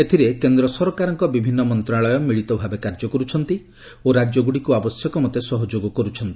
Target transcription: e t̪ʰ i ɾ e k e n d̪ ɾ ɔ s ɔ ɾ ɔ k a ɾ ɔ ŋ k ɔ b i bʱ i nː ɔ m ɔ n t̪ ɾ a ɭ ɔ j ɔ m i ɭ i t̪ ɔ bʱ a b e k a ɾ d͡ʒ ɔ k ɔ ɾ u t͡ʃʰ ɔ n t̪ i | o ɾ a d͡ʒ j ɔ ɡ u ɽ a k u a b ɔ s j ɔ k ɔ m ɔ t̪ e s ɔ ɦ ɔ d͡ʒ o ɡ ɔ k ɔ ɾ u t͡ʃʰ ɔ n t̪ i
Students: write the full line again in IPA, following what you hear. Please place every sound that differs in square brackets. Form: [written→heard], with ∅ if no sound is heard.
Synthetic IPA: e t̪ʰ i ɾ e k e n d̪ ɾ ɔ s ɔ ɾ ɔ k a ɾ ɔ ŋ k ɔ b i bʱ i nː ɔ m ɔ n t̪ ɾ a ɭ ɔ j ɔ m i ɭ i t̪ ɔ bʱ a b e k a ɾ d͡ʒ ɔ k ɔ ɾ u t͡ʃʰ ɔ n t̪ i | o ɾ a d͡ʒ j ɔ ɡ u ɽ [a→i] k u a b ɔ s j ɔ k ɔ m ɔ t̪ e s ɔ ɦ ɔ d͡ʒ o ɡ ɔ k ɔ ɾ u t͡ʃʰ ɔ n t̪ i